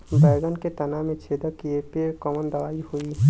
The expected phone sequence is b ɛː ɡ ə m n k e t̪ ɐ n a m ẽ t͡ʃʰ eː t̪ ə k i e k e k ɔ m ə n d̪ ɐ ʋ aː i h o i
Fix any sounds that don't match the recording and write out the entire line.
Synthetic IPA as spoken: b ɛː ɡ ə n k e t̪ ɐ n a m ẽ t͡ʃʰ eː d̪ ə k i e p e k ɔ m ə n d̪ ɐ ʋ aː i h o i